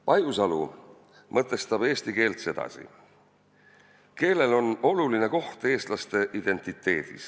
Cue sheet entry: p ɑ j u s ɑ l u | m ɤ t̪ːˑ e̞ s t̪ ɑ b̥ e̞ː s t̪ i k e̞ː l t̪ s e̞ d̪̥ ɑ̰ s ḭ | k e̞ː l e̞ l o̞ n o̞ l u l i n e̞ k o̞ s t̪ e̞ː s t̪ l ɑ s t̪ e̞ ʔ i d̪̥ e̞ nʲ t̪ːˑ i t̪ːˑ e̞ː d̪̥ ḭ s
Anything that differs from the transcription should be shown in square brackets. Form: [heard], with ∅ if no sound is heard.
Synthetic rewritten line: p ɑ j u s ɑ l u | m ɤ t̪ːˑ e̞ s t̪ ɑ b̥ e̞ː s t̪ i k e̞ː l t̪ s e̞ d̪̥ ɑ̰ s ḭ | k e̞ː l e̞ l o̞ n o̞ l u l i n e̞ k o̞ [h] t̪ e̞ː s t̪ l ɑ s t̪ e̞ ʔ i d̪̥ e̞ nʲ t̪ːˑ i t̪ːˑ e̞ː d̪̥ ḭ s